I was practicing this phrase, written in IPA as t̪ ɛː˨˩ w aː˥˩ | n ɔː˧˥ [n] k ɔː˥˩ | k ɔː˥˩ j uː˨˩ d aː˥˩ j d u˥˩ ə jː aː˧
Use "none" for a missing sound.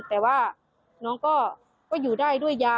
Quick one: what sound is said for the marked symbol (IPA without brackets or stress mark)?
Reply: ŋ